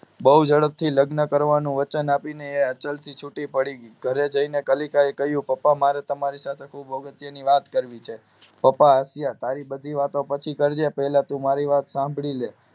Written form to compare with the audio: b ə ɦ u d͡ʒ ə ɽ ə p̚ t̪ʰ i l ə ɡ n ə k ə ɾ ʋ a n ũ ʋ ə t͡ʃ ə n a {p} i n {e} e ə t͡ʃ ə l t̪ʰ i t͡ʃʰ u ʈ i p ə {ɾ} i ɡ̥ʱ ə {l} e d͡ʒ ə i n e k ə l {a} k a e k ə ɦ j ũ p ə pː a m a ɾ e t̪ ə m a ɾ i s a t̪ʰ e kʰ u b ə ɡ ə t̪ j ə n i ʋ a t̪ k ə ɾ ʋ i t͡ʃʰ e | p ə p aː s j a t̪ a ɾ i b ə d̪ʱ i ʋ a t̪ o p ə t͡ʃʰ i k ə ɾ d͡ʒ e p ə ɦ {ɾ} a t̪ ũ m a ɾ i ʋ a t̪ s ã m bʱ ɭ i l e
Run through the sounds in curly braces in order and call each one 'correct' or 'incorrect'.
correct, correct, incorrect: ɽ, incorrect: ɾ, incorrect: i, incorrect: l

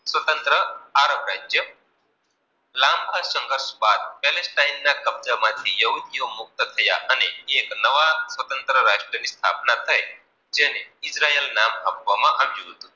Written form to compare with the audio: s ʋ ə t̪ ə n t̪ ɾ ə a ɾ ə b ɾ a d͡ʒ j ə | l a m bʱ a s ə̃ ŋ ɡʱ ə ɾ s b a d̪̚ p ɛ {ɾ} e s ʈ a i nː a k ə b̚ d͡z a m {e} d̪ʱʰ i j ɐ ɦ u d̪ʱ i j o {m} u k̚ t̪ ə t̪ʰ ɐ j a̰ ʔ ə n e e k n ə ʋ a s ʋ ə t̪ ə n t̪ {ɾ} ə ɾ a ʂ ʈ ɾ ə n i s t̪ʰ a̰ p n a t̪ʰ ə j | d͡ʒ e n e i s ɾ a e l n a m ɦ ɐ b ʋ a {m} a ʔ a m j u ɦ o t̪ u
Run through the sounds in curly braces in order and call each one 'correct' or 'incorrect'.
incorrect: l, incorrect: a, correct, correct, correct

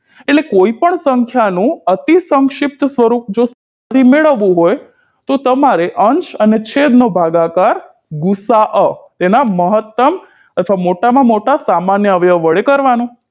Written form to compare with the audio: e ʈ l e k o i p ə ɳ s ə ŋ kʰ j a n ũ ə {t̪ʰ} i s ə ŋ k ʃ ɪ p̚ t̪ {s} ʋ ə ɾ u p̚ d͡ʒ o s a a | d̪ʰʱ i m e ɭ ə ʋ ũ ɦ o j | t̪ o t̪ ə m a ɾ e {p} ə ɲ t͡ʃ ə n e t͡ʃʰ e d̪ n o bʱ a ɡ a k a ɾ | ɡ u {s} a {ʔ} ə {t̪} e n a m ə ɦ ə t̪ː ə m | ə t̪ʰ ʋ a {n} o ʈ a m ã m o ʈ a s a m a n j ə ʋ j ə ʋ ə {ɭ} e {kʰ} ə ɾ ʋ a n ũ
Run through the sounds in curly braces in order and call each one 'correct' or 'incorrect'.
incorrect: t̪, correct, incorrect: ʔ, correct, correct, correct, incorrect: m, correct, incorrect: k

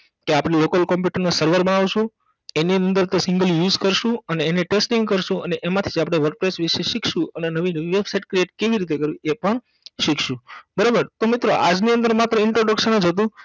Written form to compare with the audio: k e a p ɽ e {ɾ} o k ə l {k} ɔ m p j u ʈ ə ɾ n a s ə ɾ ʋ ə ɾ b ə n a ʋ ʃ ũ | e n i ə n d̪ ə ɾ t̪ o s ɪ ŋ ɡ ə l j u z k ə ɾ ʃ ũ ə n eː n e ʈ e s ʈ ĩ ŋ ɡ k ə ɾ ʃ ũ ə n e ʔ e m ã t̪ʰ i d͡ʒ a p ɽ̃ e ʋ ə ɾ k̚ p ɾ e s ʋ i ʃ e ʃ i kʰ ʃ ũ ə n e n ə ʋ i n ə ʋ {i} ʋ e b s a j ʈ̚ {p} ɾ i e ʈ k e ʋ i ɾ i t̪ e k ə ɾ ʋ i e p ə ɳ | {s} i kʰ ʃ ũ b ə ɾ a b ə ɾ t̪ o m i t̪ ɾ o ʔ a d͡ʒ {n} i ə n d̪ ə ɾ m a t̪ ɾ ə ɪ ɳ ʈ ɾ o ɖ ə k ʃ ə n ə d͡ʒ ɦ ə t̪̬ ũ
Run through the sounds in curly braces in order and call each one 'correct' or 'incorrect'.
incorrect: l, correct, correct, incorrect: k, incorrect: ʃ, correct

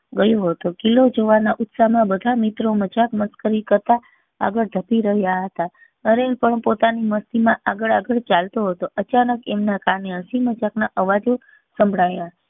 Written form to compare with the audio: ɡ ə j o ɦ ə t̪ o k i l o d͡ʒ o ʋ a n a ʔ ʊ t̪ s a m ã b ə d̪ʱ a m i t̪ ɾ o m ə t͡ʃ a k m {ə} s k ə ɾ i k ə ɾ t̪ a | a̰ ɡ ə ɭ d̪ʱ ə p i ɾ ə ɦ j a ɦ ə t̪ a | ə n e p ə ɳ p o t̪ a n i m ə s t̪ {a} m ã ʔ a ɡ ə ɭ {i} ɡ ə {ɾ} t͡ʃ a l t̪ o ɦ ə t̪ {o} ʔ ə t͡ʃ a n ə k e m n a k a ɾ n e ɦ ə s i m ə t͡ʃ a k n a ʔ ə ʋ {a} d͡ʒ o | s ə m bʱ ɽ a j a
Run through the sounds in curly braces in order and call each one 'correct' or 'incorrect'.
correct, incorrect: i, incorrect: a, incorrect: ɭ, correct, correct

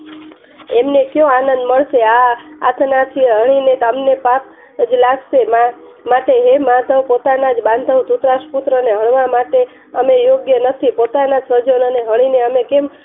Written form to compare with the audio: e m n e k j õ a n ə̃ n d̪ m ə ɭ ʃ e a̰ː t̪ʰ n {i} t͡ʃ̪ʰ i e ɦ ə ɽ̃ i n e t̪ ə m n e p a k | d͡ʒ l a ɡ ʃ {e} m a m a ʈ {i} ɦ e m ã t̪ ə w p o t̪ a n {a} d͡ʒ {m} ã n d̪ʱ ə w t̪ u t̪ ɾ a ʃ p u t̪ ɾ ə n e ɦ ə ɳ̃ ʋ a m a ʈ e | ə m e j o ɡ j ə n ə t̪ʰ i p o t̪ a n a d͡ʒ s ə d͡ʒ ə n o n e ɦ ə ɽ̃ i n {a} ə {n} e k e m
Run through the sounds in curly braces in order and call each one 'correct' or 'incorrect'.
incorrect: a, correct, incorrect: e, correct, incorrect: b, incorrect: e, incorrect: m

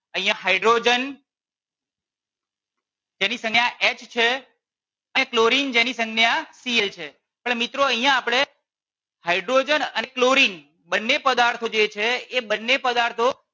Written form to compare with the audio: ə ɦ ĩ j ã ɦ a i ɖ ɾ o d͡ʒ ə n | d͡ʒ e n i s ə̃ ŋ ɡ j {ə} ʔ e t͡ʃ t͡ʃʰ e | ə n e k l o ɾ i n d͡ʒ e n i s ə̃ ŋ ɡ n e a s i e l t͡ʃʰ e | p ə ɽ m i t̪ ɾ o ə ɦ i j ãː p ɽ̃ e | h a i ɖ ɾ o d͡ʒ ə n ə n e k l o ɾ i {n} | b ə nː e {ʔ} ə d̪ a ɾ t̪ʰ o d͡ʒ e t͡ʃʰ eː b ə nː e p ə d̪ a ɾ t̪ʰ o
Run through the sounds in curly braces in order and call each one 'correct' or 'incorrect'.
incorrect: a, correct, incorrect: p

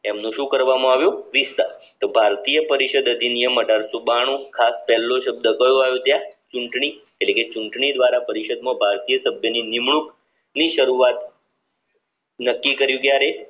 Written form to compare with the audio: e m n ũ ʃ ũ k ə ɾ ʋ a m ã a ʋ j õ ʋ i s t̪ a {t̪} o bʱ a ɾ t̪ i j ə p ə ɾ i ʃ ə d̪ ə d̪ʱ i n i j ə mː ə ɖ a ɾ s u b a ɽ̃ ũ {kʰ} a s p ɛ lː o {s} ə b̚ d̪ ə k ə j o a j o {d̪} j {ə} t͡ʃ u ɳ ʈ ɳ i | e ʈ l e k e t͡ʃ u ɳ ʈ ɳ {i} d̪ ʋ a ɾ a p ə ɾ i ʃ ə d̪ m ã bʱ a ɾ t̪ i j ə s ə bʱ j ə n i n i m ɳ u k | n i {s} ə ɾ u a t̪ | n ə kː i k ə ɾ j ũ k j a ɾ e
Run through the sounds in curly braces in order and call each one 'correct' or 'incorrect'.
correct, correct, incorrect: ʃ, incorrect: t̪, incorrect: a, correct, incorrect: ʃ

